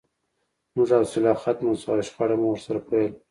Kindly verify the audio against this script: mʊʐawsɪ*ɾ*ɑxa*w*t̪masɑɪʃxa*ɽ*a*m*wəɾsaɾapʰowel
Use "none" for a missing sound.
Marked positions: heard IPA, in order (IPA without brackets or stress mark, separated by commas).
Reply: l, none, ɽ, m